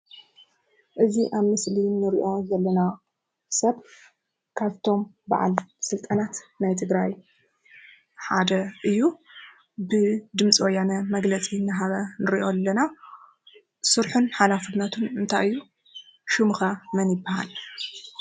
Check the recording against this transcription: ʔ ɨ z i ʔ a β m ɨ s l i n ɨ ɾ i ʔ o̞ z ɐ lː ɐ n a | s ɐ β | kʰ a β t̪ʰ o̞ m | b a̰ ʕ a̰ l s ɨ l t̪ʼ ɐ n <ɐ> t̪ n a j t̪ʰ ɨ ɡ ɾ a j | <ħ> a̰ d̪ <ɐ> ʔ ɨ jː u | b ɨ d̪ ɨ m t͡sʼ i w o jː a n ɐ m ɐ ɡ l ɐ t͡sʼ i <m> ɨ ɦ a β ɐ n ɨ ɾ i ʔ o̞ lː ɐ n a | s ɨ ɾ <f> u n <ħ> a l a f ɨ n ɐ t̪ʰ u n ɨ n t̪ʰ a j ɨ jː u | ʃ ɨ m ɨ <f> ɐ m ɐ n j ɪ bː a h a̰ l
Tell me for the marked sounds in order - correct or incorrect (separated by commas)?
incorrect, correct, correct, incorrect, incorrect, correct, incorrect